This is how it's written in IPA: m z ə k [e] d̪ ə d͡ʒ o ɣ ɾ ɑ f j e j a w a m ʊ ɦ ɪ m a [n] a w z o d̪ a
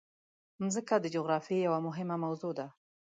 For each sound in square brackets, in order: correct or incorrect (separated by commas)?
incorrect, incorrect